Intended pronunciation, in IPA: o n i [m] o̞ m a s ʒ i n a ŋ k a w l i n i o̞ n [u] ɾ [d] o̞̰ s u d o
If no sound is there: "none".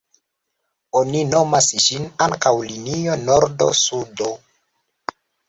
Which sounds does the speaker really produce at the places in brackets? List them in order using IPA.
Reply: n, o, d

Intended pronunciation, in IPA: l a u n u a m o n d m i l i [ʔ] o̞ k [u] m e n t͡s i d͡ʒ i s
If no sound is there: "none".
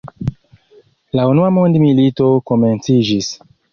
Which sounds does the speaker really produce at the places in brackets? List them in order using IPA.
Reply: t, o

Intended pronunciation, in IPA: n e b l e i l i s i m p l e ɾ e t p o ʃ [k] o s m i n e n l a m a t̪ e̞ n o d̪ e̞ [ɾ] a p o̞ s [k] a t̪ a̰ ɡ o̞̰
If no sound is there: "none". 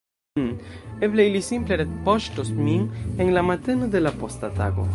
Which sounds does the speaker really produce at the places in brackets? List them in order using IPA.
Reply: t, l, t

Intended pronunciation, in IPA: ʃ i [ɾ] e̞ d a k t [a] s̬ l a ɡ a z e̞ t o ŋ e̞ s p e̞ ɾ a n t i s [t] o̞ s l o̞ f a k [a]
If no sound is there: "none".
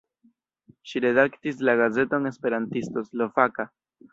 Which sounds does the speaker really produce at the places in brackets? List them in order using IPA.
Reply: ɾ, i, t, a

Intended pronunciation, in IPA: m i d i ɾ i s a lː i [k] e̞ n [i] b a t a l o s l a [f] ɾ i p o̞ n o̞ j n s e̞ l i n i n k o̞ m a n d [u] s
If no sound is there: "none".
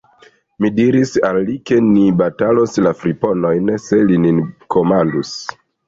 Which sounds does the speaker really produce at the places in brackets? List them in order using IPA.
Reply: k, i, f, u

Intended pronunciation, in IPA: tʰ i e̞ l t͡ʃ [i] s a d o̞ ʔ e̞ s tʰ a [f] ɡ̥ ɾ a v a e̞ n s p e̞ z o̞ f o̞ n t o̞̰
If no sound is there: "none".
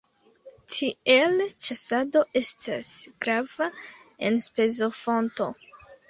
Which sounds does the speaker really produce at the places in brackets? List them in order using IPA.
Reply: a, s

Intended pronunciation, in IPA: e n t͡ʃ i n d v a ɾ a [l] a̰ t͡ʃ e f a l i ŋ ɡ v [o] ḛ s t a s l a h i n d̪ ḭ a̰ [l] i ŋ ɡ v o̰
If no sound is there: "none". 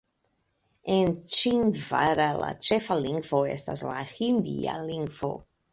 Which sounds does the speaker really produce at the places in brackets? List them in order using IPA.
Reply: l, o, l

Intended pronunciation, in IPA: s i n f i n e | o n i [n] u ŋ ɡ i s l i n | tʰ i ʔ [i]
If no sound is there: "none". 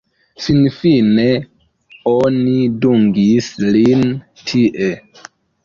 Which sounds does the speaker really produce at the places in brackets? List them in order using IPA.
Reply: d, e

